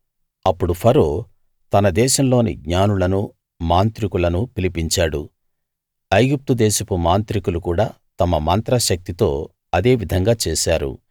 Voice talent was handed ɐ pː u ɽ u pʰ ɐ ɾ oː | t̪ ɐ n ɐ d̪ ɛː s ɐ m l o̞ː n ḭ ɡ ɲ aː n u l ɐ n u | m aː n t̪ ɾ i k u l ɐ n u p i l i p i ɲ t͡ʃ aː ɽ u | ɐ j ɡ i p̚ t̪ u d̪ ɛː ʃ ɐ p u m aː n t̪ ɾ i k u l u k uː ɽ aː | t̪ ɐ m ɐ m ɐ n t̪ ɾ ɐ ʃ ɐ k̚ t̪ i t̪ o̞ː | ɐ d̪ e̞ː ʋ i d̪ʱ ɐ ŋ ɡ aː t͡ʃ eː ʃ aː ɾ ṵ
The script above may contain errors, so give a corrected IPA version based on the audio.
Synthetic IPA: ɐ pː u ɽ u pʰ ɐ ɾ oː | t̪ ɐ n ɐ d̪ ɛː ʃ ɐ m l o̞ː n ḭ ɡ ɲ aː n u l ɐ n u | m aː n t̪ ɾ i k u l ɐ n u p i l i p i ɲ t͡ʃ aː ɽ u | ɐ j ɡ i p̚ t̪ u d̪ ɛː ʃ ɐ p u m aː n t̪ ɾ i k u l u k uː ɽ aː | t̪ ɐ m ɐ m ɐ n t̪ ɾ ɐ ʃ ɐ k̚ t̪ i t̪ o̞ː | ɐ d̪ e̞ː ʋ i d̪ʱ ɐ ŋ ɡ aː t͡ʃ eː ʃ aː ɾ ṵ

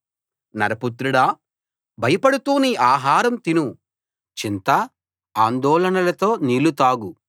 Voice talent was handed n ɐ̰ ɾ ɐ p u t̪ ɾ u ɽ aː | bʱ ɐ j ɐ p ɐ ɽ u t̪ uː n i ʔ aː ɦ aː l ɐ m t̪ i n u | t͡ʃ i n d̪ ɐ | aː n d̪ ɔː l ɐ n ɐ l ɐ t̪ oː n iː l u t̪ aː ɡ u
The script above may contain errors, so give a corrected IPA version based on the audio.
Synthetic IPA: n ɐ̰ ɾ ɐ p u t̪ ɾ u ɽ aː | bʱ ɐ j ɐ p ɐ ɽ u t̪ uː n i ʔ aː ɦ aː ɾ ɐ m t̪ i n u | t͡ʃ i n t̪ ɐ | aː n d̪ ɔː l ɐ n ɐ l ɐ t̪ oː n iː l u t̪ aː ɡ u

